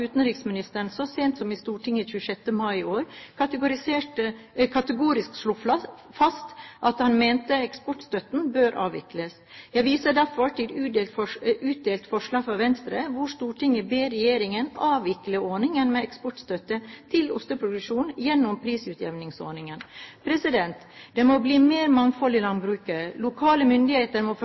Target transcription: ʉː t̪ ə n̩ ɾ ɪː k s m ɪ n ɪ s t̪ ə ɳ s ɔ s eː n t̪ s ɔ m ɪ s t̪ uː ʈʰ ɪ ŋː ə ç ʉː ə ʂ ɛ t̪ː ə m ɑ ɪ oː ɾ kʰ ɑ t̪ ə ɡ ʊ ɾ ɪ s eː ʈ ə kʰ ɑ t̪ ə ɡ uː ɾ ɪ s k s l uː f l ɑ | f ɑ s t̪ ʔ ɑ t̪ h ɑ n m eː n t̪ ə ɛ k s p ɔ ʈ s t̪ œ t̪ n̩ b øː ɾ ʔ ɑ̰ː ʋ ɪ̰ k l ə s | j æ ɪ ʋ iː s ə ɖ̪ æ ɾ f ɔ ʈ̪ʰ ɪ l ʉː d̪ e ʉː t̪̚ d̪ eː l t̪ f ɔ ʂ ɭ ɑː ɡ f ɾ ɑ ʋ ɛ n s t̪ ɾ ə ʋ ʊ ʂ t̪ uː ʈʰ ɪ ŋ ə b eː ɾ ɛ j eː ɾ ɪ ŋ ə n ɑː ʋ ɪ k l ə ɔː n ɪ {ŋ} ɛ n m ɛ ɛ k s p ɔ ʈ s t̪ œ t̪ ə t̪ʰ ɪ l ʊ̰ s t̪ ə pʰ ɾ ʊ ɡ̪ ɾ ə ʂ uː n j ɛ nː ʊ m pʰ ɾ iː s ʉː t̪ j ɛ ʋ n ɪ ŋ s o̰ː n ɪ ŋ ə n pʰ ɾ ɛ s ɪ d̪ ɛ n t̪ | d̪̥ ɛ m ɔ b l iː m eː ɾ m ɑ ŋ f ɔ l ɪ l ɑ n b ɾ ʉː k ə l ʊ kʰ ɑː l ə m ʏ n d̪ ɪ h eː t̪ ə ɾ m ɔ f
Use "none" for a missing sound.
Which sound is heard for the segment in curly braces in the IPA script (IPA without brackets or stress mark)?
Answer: ŋ